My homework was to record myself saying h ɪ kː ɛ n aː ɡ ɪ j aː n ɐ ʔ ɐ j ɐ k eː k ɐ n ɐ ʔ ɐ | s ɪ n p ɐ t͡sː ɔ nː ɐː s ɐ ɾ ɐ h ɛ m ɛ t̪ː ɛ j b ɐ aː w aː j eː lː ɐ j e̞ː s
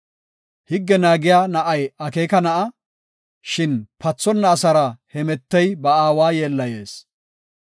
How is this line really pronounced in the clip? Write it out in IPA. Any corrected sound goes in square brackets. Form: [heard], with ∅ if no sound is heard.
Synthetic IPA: h ɪ [ɡː] ɛ n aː ɡ ɪ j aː n ɐ ʔ ɐ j ɐ k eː k ɐ n ɐ ʔ ɐ | [ʃ] ɪ n p ɐ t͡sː ɔ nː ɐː s ɐ ɾ ɐ h ɛ m ɛ t̪ː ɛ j b ɐ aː w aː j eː lː ɐ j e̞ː s